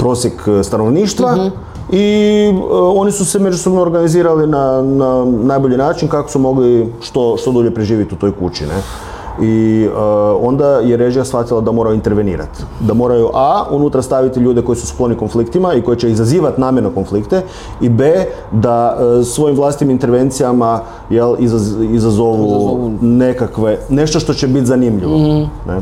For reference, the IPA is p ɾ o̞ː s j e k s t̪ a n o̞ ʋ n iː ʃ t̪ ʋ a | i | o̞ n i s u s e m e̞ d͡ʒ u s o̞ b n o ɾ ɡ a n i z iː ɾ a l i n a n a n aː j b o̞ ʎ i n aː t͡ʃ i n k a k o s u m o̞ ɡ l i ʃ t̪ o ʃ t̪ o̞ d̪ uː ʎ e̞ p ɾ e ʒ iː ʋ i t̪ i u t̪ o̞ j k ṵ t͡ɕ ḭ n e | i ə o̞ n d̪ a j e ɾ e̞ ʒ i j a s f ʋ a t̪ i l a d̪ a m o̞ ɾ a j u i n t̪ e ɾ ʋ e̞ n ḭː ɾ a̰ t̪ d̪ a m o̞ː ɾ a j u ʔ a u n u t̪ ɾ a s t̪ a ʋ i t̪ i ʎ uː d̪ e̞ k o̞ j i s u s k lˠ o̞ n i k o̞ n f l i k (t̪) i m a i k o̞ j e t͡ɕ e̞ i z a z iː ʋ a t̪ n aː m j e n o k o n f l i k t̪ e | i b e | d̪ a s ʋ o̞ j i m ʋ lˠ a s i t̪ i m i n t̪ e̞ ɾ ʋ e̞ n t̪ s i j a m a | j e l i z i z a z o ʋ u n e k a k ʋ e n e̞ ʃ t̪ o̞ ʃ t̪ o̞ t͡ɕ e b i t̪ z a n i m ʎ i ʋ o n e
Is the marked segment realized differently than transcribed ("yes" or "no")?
no